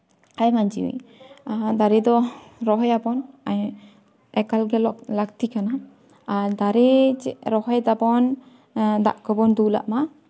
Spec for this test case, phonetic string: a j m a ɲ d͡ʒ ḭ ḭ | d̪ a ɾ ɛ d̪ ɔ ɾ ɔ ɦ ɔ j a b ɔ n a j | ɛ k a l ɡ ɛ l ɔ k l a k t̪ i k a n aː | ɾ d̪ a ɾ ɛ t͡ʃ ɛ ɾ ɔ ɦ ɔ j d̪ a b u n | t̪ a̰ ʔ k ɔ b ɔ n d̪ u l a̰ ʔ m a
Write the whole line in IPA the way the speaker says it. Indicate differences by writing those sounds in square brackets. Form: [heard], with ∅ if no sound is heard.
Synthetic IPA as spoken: a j m a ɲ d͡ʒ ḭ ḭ | d̪ a ɾ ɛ d̪ ɔ ɾ ɔ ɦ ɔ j a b ɔ n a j | ɛ k a l ɡ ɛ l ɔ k l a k t̪ i k a n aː | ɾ d̪ a ɾ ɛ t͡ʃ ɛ ɾ ɔ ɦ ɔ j d̪ a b [ɔ] n | [d̪] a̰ ʔ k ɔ b ɔ n d̪ u l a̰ ʔ m a